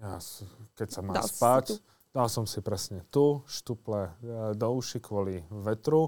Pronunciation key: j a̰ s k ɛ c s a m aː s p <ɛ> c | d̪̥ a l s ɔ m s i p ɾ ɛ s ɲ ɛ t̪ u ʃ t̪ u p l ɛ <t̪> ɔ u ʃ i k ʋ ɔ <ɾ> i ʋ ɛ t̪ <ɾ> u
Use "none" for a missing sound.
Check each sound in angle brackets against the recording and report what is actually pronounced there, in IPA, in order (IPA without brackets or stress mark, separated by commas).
a, d̪, l, ɾ